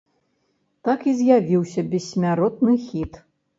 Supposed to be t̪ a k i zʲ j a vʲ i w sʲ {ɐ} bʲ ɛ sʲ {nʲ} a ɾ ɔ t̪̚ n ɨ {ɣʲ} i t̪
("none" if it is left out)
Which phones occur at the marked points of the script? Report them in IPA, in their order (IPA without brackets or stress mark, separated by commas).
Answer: ɐ, mʲ, xʲ